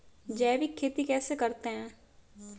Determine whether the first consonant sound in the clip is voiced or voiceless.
voiced